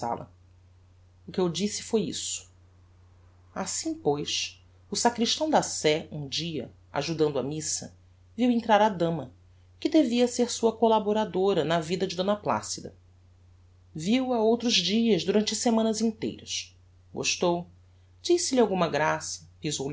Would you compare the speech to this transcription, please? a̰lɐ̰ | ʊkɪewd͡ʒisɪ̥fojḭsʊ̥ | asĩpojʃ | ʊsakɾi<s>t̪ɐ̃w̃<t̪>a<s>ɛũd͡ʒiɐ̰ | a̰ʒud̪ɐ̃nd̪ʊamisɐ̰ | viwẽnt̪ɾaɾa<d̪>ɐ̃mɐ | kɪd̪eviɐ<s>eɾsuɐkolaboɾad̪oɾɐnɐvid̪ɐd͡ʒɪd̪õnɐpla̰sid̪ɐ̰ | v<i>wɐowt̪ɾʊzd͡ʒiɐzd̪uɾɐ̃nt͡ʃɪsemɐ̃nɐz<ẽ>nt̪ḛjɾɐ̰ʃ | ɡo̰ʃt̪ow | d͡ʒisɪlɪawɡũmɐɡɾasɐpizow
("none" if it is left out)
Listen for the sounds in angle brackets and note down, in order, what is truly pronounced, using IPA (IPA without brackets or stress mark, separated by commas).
ʃ, d̪, s, d̪, s, i, ĩ